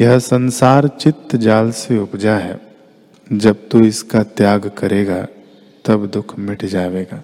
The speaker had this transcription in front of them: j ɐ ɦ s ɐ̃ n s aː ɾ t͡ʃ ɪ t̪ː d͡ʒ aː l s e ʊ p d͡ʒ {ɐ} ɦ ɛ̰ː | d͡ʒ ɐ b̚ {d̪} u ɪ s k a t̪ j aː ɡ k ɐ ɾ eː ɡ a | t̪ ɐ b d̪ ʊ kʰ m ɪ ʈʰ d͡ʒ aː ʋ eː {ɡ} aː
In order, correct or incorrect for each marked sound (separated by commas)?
incorrect, incorrect, correct